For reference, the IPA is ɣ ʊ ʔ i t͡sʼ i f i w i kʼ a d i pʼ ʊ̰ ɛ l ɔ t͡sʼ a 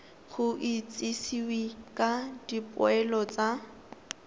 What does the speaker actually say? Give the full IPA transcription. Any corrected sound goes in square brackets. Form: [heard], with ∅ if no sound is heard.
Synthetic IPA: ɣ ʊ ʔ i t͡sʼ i [s] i w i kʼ a d i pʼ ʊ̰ ɛ l ɔ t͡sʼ a